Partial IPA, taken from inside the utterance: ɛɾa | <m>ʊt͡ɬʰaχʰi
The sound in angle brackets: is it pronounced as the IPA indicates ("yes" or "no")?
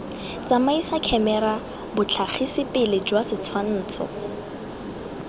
no